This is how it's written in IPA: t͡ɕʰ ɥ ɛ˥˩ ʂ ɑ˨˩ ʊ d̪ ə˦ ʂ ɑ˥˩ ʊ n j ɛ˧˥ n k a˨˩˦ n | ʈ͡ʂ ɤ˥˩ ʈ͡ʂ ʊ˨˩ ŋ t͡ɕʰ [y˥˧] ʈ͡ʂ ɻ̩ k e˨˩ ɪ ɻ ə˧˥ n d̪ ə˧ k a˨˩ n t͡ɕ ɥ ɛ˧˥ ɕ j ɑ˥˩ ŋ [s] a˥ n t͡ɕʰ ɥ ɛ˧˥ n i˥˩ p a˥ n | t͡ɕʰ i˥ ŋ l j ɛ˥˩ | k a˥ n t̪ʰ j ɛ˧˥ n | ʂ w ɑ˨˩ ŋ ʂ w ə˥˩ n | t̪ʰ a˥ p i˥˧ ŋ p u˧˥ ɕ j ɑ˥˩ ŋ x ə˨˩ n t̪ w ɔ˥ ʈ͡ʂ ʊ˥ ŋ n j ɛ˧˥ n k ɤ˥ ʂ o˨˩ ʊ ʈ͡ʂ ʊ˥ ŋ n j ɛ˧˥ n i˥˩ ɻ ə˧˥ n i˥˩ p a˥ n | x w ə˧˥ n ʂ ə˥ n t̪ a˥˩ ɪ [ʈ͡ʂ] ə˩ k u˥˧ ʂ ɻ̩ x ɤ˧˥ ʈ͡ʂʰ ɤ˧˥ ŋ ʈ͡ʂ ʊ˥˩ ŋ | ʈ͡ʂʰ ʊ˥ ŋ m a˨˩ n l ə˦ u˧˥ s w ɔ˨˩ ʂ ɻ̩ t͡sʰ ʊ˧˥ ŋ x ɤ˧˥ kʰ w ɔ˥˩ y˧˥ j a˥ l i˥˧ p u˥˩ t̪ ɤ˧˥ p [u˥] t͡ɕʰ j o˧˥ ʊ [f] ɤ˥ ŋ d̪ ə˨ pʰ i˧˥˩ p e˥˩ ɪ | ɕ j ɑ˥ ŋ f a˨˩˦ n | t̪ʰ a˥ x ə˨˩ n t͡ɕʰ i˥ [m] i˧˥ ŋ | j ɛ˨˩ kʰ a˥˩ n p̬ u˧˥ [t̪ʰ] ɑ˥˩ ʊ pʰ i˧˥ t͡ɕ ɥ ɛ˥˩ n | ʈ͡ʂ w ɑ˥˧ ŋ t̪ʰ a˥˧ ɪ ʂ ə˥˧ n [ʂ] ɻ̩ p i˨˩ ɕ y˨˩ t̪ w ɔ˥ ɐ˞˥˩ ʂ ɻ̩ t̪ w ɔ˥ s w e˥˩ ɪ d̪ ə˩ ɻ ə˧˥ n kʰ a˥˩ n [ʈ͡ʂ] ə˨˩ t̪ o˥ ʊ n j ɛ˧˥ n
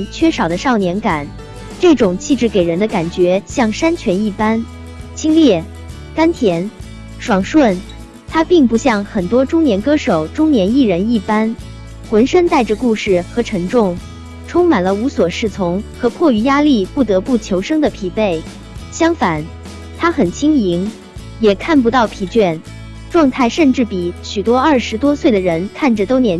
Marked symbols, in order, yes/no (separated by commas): no, no, yes, no, no, no, no, no, yes